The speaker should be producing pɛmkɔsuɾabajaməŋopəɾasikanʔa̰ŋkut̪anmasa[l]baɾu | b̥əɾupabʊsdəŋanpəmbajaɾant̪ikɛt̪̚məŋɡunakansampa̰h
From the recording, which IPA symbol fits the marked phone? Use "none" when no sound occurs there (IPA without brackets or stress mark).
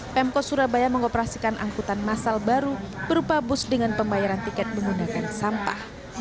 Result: l